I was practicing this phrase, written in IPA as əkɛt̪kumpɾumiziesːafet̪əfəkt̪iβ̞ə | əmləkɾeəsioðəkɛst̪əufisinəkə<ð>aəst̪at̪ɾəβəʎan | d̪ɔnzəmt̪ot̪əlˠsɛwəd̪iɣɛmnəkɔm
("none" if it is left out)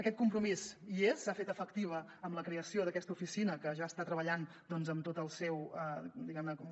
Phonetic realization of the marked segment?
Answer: ʒ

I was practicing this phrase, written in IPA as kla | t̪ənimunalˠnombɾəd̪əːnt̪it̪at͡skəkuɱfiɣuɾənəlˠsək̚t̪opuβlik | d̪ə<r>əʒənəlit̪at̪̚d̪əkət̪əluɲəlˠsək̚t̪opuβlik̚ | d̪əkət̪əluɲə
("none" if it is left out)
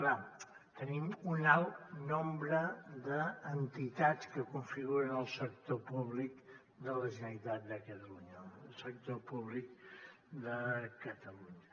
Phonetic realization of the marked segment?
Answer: l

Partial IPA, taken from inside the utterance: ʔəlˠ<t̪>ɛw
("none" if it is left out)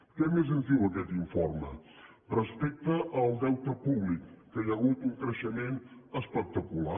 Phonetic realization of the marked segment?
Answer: d̪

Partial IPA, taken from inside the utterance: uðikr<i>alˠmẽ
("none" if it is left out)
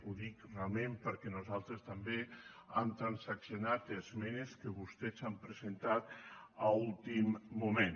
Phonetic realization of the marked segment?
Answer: e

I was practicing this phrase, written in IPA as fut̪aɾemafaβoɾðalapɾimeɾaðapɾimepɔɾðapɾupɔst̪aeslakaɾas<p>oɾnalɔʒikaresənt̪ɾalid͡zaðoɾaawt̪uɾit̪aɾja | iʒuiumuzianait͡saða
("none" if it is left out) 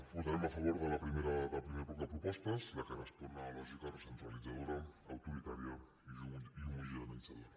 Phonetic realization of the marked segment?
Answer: p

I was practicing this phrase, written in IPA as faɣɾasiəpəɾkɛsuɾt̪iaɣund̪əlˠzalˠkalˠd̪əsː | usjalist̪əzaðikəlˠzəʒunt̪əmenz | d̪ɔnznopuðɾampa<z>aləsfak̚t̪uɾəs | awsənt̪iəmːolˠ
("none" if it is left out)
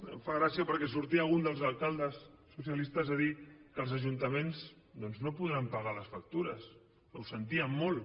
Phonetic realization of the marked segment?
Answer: ɣ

